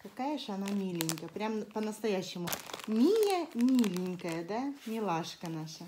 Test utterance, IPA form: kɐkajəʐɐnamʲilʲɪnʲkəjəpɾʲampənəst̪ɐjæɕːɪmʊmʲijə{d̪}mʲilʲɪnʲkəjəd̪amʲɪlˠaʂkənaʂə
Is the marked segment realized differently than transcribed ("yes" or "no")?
yes